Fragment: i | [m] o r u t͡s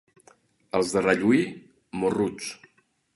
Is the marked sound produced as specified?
yes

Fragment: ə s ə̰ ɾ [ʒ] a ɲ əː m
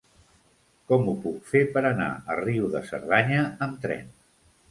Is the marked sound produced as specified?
no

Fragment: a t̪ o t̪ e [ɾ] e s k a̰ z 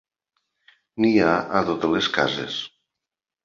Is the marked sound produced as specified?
no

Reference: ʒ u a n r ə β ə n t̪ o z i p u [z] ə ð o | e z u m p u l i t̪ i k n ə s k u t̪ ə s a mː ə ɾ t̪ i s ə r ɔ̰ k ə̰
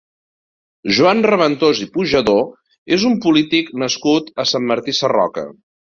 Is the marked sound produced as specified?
no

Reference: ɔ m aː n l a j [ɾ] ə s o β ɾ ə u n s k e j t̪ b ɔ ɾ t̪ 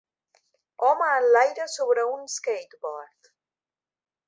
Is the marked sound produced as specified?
yes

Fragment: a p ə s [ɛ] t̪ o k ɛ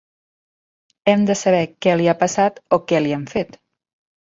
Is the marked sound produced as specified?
no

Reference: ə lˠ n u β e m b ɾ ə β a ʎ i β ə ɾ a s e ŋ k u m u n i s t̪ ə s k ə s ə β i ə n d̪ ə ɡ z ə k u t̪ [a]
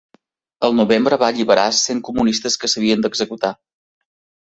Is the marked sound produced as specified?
yes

